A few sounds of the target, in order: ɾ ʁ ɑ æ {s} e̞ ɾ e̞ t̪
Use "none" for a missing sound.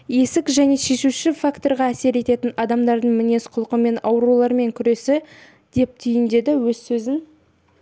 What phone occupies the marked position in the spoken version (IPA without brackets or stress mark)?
s